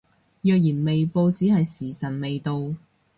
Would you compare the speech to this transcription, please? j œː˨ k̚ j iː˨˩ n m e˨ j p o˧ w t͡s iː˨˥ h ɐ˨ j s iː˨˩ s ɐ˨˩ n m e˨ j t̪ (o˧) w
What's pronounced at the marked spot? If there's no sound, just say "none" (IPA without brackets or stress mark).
o˧